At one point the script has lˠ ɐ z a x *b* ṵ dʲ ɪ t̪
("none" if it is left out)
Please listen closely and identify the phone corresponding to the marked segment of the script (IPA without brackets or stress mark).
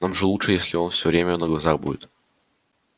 b